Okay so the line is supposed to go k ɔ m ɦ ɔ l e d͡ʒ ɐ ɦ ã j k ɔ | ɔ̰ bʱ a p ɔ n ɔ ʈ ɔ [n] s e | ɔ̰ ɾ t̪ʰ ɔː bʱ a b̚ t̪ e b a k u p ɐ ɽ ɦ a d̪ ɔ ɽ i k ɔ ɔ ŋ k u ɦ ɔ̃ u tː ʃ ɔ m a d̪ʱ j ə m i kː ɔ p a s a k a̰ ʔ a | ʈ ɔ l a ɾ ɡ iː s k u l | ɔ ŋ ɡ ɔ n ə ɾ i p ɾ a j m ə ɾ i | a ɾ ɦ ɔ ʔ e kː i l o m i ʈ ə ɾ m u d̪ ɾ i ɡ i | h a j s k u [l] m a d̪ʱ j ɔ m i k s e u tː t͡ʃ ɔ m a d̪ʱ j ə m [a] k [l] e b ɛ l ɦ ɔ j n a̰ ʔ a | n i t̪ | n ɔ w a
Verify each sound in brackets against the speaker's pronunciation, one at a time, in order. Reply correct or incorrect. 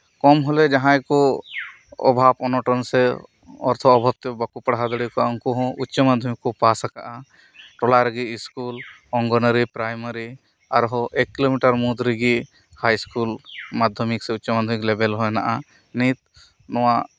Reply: correct, correct, incorrect, correct

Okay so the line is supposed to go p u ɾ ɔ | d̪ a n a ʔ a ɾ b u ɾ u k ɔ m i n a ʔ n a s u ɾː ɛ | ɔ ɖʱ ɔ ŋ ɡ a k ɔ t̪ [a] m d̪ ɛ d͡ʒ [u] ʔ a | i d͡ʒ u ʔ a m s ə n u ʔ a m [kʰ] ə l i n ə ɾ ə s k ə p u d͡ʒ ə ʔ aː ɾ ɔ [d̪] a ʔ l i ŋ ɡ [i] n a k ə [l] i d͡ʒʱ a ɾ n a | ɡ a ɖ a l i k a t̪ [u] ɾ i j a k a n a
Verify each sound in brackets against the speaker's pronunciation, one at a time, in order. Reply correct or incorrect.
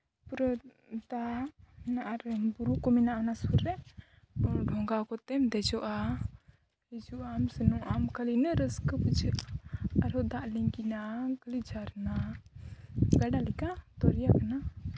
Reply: incorrect, incorrect, incorrect, correct, correct, correct, incorrect

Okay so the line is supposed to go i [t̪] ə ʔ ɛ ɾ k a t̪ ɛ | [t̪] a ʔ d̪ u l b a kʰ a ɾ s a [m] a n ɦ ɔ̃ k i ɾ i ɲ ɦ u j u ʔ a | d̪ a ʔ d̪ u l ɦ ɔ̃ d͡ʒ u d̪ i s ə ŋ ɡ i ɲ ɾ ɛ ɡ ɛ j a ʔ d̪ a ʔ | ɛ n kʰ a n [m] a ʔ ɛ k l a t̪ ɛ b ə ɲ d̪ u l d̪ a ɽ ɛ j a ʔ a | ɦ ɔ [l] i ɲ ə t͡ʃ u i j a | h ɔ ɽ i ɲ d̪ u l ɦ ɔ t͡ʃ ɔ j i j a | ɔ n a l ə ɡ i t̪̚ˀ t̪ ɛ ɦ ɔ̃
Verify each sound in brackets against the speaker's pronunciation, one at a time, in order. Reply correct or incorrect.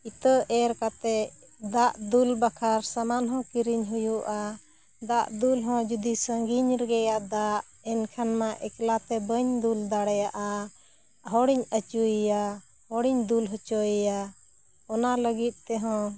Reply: correct, incorrect, correct, correct, incorrect

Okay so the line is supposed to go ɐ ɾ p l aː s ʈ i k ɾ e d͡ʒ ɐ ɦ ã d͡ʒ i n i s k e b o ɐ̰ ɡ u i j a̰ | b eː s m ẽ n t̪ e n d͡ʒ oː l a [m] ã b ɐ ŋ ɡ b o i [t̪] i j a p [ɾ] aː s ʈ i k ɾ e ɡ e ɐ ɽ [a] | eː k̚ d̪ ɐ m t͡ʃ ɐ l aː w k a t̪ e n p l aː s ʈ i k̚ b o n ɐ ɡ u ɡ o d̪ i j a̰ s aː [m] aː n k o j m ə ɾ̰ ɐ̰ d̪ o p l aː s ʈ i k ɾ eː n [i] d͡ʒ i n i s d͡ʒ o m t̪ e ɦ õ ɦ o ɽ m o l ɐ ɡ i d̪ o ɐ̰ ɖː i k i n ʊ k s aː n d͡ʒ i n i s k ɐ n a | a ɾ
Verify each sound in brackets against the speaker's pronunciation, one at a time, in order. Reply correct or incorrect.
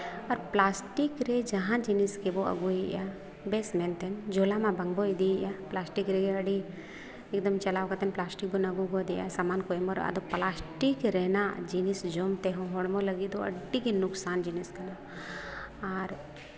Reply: correct, incorrect, incorrect, incorrect, correct, incorrect

